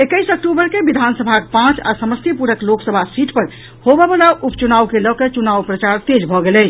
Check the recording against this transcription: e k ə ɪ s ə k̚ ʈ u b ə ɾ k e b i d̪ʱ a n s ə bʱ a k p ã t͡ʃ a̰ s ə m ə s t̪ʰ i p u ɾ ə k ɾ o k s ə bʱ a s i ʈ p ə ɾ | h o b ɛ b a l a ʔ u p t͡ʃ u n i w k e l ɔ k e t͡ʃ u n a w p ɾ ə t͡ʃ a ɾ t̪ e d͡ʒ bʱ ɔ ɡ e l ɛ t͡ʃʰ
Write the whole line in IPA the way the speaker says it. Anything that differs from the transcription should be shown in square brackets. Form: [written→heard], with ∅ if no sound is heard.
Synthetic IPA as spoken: e k ə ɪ s ə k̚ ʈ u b ə ɾ k e b i d̪ʱ a n s ə bʱ a k p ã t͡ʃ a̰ s ə m ə s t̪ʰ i p u ɾ ə k [ɾ→l] o k s ə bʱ a s i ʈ p ə ɾ | h o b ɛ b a l a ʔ u p t͡ʃ u n [i→a] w k e l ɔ k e t͡ʃ u n a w p ɾ ə t͡ʃ a ɾ t̪ e d͡ʒ bʱ ɔ ɡ e l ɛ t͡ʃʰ